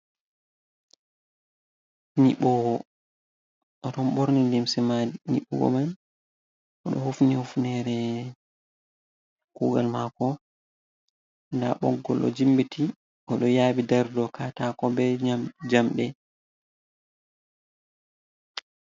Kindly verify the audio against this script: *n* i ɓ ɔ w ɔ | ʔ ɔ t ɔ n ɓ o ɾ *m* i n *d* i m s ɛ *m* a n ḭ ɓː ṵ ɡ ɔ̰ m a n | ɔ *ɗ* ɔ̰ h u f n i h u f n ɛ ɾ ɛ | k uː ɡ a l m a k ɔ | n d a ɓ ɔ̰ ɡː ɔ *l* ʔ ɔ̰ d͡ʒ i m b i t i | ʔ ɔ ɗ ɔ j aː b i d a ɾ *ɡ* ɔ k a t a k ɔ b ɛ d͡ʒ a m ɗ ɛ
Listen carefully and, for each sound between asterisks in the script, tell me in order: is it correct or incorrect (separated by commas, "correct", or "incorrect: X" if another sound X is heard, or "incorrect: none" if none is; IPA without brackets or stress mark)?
correct, incorrect: n, correct, correct, correct, correct, incorrect: d